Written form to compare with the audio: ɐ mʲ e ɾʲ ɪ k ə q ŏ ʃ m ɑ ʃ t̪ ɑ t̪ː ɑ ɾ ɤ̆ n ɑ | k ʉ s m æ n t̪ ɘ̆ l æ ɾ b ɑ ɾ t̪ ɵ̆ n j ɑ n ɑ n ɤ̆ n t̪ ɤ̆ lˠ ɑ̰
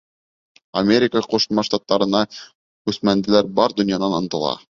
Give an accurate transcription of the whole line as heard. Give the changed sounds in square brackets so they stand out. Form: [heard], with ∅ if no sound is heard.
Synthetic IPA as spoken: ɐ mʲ e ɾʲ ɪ k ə q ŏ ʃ m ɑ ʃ t̪ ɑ t̪ː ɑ ɾ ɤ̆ n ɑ | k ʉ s m æ n [d̪] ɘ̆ l æ ɾ b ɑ ɾ [d̪] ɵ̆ n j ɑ n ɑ n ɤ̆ n t̪ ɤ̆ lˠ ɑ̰